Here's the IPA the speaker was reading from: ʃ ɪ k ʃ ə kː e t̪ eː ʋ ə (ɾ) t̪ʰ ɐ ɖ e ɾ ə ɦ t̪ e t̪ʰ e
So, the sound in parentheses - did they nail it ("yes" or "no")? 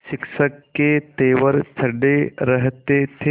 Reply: yes